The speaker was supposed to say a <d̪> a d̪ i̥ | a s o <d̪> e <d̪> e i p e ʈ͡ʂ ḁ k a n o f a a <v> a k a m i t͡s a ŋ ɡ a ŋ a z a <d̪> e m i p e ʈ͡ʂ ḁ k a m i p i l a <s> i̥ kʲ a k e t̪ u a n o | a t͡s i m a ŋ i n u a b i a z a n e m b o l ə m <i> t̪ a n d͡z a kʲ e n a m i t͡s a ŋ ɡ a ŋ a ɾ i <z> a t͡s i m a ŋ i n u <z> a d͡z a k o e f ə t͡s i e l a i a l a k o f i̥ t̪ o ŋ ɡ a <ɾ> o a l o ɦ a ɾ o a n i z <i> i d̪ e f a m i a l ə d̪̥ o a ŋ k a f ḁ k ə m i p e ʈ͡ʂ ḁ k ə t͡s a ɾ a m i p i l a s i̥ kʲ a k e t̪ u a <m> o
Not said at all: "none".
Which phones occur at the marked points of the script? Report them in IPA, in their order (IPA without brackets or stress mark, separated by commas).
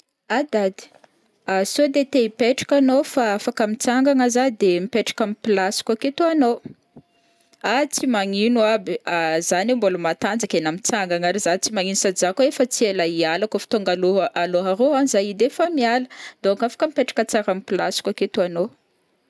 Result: d̪, d̪, t̪, f, d̪, s, a, z, s, l, a, n